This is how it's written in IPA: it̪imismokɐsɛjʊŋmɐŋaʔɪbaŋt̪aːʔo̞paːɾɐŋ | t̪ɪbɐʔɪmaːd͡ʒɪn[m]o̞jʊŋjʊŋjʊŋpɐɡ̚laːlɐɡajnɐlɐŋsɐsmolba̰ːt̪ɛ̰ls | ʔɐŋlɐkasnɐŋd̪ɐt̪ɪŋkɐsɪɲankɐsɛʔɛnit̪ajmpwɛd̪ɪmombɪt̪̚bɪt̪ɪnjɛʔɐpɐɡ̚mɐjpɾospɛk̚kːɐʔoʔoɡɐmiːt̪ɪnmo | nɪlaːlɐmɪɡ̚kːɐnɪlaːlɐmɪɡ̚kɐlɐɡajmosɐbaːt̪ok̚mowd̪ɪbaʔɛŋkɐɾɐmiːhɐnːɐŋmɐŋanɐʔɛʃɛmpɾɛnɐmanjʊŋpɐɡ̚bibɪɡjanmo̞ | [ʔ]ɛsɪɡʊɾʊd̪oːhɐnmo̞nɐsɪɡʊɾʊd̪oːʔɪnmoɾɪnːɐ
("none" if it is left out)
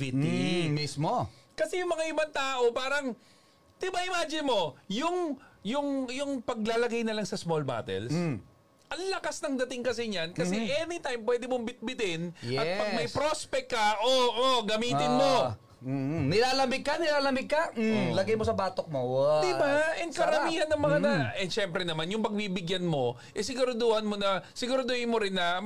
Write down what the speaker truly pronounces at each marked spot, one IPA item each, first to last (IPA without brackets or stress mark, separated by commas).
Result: m, ʔ